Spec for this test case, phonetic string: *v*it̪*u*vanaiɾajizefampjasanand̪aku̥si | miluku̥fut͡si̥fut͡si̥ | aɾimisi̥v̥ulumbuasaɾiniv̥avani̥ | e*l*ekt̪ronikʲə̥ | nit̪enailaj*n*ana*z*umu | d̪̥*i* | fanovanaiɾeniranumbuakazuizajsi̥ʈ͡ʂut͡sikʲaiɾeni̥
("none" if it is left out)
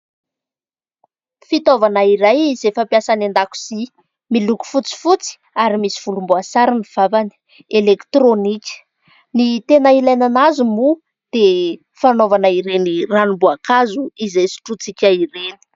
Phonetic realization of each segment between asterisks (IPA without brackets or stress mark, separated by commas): f, o, l, n, z, e